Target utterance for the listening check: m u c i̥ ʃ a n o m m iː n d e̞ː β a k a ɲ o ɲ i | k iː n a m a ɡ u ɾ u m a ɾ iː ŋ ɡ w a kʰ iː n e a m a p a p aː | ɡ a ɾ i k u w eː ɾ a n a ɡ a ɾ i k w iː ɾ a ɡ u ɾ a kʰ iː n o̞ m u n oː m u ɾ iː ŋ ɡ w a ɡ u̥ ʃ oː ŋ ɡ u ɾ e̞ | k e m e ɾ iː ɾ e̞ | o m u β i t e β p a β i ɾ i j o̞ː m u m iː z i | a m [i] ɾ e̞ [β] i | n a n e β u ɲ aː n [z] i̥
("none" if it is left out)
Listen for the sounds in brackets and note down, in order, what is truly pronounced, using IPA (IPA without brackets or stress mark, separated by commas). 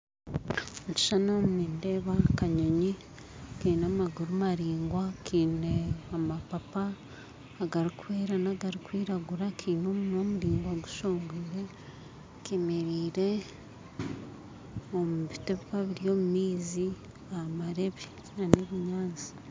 a, β, z